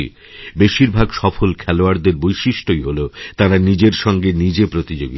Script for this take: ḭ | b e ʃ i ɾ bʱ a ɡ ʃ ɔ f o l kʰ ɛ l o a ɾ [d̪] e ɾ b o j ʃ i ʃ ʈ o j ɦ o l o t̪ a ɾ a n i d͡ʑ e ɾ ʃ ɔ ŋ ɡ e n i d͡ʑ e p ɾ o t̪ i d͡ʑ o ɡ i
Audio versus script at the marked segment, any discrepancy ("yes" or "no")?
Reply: no